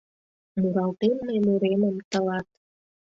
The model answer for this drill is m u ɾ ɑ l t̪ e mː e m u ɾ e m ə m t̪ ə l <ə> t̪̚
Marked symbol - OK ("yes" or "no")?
no